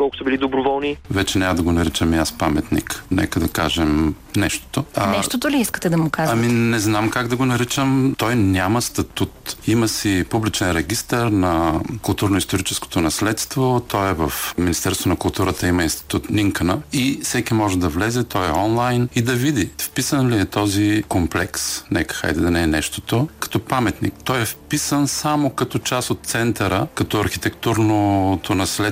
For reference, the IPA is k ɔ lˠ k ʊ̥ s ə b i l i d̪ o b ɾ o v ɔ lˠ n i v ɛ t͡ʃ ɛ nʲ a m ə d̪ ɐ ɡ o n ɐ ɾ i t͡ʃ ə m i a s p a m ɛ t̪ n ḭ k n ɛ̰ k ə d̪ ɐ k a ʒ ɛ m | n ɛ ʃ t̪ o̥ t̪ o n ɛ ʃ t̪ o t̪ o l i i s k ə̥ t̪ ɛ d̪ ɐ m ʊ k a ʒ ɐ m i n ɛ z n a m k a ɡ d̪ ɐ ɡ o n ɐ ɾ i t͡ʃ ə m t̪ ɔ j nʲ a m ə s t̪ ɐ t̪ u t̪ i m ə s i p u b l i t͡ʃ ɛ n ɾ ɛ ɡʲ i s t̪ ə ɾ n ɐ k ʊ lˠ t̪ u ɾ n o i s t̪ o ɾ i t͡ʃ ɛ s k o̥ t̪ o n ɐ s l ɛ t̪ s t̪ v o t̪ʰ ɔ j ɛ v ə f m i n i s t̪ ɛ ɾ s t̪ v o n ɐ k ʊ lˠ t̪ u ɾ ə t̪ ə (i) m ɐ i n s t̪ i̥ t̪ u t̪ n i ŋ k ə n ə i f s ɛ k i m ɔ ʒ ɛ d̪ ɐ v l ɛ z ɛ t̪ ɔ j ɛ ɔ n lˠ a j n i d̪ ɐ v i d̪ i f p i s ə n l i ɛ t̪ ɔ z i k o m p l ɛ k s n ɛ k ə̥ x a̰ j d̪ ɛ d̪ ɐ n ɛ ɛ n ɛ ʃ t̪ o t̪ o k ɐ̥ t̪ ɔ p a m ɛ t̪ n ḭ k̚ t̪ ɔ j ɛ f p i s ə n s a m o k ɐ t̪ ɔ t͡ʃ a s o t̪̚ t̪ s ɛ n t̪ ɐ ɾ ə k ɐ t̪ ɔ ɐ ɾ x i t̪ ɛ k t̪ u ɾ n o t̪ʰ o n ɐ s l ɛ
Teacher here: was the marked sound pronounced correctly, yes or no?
yes